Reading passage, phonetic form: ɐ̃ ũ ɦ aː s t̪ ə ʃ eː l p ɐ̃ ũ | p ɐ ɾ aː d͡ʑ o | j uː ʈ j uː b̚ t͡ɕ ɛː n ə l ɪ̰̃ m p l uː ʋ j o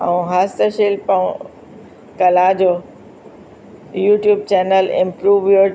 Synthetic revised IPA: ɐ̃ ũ ɦ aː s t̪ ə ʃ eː l p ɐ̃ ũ | k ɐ l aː d͡ʑ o | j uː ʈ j uː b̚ t͡ɕ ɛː n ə l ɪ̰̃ m p ɾ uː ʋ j o